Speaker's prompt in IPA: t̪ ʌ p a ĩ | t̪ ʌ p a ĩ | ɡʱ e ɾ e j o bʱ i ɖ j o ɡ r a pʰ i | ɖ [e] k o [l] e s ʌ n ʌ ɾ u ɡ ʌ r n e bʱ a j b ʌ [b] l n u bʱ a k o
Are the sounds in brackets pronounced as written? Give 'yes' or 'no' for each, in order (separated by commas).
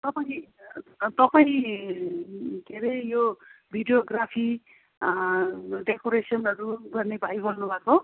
yes, no, no